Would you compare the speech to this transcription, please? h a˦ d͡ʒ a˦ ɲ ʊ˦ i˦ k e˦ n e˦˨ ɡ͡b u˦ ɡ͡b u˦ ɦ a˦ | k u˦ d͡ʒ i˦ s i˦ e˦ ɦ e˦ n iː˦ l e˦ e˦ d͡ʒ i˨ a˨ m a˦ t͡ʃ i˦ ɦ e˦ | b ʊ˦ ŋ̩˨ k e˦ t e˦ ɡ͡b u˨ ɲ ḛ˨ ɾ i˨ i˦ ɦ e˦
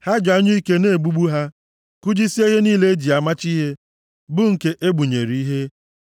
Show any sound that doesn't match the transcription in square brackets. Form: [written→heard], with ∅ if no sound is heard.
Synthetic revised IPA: h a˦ d͡ʒ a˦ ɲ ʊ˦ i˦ k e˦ n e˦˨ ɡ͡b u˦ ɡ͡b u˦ ɦ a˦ | k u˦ d͡ʒ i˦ s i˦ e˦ ɦ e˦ n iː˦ l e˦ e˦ d͡ʒ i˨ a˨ m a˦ t͡ʃ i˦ ɦ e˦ | b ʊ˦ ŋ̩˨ k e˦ [t→ʔ] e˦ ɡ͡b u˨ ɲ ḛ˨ ɾ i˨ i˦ ɦ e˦